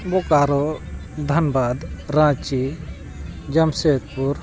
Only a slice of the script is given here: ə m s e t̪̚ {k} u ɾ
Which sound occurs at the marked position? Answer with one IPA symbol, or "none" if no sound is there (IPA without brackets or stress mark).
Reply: p